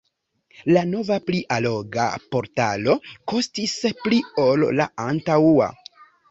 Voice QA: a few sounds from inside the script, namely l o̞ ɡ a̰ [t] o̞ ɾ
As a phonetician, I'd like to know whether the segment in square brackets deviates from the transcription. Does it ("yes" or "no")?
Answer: yes